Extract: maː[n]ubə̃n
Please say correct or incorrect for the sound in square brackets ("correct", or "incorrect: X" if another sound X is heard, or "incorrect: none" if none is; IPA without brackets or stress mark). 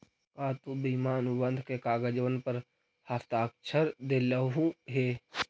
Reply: correct